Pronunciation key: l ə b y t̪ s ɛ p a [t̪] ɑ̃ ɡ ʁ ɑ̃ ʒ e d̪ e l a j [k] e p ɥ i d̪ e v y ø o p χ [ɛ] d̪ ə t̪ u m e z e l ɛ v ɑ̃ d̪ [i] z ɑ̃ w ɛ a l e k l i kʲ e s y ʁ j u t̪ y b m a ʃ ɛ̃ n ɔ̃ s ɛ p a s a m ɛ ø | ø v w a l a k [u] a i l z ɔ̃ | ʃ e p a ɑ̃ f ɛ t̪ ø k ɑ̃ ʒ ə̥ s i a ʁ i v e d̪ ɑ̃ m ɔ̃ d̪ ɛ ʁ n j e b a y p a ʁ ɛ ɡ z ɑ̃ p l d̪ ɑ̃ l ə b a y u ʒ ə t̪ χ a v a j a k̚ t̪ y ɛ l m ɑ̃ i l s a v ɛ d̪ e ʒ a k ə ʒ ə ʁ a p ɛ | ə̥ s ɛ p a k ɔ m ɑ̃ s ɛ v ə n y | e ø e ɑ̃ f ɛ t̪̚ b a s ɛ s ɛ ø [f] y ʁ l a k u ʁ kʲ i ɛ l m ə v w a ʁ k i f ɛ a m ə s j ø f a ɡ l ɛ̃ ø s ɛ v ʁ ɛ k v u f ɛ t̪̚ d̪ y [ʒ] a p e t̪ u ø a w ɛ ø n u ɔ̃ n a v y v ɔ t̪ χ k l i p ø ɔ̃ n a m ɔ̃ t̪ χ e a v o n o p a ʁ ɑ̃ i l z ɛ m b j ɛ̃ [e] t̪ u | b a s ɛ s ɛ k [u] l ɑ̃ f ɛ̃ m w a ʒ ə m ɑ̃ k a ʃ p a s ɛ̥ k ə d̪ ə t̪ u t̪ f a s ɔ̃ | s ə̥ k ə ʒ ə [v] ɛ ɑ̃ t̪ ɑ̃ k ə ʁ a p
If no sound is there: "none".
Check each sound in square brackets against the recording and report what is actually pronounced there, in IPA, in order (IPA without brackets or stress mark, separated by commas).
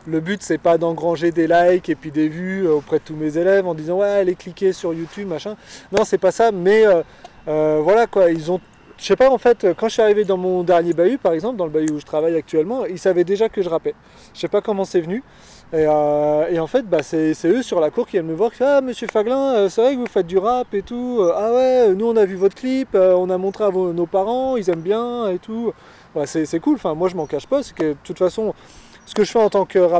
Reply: d̪, k, ɛ, i, w, s, ʁ, e, u, f